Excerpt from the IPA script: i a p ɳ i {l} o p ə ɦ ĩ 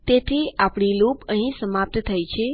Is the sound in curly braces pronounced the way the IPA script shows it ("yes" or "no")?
yes